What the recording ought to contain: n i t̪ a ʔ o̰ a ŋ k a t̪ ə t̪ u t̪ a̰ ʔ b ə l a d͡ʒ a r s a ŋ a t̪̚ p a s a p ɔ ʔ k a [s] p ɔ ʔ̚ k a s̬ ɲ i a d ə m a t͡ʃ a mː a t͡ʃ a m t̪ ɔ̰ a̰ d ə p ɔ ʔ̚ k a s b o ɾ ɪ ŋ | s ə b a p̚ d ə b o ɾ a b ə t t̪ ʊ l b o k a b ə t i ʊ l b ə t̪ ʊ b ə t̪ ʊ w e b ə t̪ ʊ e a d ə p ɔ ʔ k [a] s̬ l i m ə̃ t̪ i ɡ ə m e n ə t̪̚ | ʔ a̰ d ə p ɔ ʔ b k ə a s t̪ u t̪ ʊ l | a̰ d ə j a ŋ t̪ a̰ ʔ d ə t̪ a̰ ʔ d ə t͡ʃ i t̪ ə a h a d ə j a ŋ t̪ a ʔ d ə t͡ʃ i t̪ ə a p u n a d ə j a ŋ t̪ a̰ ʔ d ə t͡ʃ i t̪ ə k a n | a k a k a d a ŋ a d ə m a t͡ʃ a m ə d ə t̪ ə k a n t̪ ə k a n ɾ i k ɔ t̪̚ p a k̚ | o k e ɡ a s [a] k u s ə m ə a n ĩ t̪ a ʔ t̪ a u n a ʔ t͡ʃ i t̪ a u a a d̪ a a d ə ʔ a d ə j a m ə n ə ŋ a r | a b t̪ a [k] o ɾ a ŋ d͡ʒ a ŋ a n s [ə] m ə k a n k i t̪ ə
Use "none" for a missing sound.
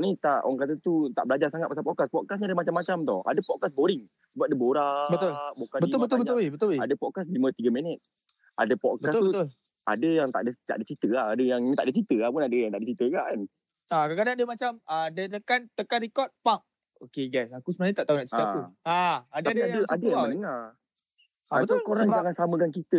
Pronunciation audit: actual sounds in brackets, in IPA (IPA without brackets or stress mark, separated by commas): s, a, a, k, a